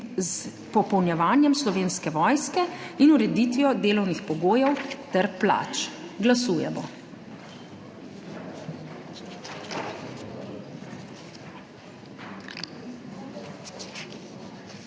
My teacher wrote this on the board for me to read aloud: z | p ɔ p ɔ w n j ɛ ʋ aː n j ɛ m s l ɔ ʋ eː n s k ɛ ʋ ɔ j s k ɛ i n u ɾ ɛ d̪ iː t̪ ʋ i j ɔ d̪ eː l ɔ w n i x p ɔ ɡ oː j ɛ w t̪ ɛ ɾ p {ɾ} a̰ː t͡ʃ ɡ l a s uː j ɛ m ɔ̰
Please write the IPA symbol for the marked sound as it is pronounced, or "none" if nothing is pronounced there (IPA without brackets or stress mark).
l